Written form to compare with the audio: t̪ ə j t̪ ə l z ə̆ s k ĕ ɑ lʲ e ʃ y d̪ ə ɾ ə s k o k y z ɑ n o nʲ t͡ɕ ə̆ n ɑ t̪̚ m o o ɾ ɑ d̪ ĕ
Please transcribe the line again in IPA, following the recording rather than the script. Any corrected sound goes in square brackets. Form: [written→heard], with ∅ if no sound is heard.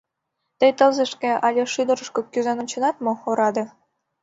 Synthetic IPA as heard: t̪ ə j t̪ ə l z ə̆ [s→ʃ] k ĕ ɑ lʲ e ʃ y d̪ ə ɾ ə [s→ʃ] k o k y z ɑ n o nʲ t͡ɕ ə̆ n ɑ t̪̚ m o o ɾ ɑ d̪ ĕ